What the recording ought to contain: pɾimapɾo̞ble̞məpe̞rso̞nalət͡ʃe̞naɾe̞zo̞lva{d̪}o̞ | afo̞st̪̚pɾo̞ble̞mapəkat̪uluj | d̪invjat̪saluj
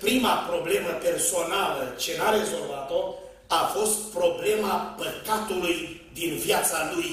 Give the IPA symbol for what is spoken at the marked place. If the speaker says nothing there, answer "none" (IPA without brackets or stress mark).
t̪